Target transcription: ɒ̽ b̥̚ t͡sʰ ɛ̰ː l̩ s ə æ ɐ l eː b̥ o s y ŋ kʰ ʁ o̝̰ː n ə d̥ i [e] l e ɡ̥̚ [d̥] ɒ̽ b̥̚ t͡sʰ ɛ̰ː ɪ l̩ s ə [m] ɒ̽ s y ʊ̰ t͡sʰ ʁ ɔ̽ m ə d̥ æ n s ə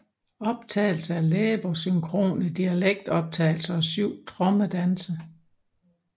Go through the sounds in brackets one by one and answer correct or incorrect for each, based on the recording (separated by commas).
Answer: incorrect, correct, incorrect